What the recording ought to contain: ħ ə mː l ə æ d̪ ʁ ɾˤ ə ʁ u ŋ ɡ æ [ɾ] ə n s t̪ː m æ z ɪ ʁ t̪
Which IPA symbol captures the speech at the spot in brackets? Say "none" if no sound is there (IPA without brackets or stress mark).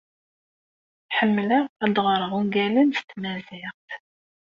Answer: l